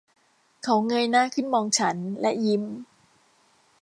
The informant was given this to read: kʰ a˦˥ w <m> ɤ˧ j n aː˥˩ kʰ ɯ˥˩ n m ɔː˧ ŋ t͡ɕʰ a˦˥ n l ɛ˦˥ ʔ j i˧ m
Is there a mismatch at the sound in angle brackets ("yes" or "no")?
yes